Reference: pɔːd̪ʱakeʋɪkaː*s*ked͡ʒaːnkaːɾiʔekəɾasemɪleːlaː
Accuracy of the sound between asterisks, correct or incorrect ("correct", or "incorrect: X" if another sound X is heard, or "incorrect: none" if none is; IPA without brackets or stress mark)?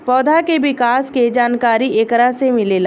correct